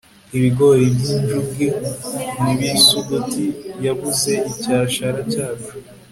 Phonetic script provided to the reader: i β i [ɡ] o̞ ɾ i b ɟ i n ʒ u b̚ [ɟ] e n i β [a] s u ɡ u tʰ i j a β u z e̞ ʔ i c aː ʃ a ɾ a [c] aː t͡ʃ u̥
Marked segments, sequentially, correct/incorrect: correct, incorrect, incorrect, correct

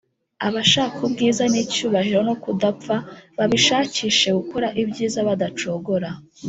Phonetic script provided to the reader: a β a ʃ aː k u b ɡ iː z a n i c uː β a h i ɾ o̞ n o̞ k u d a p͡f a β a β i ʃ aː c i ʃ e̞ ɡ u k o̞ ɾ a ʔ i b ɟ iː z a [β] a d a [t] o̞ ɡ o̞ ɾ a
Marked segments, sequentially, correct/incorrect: correct, incorrect

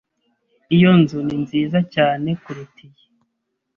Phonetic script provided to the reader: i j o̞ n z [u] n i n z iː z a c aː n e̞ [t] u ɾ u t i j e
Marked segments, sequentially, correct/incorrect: correct, incorrect

